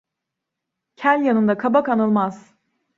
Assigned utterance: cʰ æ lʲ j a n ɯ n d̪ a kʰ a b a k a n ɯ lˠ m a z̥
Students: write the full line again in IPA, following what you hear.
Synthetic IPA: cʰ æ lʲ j a n ɯ n d̪ a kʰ a b a k a n ɯ lˠ m a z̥